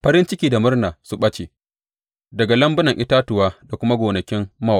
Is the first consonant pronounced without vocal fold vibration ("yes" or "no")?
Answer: yes